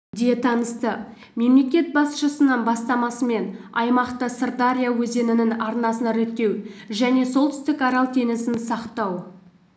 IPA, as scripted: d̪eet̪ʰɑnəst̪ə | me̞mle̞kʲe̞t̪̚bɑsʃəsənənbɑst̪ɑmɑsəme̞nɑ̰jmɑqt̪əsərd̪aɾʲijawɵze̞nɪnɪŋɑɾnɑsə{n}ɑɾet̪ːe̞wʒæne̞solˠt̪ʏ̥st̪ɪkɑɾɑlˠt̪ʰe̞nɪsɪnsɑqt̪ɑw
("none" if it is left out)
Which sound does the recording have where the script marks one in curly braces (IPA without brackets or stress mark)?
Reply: n